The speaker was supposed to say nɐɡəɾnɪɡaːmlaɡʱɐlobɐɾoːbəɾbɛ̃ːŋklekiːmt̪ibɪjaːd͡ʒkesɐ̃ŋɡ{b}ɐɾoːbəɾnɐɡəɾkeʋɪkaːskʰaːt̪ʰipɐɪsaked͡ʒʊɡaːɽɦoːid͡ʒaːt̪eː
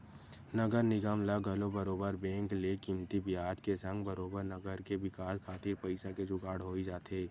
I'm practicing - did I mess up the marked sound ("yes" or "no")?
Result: no